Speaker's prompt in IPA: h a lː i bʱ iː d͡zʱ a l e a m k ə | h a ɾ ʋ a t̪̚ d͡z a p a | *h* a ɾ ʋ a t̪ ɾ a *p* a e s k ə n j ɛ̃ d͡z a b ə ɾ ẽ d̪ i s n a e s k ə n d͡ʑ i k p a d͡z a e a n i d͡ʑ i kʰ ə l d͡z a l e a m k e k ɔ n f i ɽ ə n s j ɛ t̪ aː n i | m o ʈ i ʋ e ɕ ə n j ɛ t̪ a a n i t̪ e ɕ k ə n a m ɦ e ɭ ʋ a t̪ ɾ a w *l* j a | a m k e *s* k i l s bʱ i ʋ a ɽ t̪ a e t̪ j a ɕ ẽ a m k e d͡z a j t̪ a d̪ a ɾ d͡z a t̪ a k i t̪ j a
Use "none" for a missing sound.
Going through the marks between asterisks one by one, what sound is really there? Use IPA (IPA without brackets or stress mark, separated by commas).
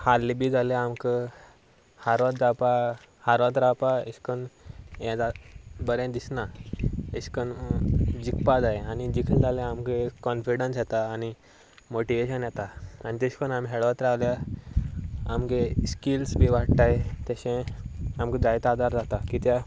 h, p, l, s